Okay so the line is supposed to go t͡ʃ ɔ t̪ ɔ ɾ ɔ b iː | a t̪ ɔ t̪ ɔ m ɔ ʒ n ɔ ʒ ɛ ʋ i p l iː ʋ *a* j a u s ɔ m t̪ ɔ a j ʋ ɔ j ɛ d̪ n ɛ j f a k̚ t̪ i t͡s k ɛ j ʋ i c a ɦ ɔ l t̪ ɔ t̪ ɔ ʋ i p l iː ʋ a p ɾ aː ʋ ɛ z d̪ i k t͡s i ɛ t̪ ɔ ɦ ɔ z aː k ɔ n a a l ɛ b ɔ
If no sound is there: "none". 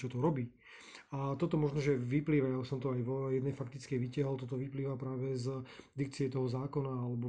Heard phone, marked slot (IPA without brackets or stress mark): a